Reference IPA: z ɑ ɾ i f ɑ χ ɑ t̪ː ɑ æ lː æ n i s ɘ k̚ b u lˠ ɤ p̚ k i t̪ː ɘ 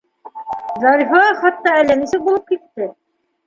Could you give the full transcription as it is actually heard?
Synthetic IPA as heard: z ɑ ɾ i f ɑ χ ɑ t̪ː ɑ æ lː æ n i s ɘ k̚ b u lˠ ɤ p̚ k i t̪ː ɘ